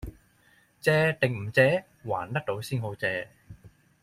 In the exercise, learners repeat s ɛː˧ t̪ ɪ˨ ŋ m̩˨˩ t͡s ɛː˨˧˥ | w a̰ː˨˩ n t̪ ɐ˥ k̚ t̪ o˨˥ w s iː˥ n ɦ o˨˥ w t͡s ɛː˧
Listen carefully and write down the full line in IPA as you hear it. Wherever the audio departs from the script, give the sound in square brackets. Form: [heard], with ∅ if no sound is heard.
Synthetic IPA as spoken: [t͡s] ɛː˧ t̪ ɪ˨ ŋ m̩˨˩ t͡s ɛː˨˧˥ | w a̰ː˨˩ n t̪ ɐ˥ k̚ t̪ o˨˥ w s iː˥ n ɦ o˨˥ w t͡s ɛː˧